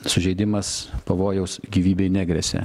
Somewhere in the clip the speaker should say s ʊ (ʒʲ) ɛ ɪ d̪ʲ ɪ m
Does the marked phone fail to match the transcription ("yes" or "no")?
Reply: no